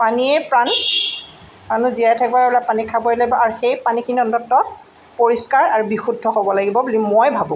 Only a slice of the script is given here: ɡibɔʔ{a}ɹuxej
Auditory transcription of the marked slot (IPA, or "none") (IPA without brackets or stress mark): a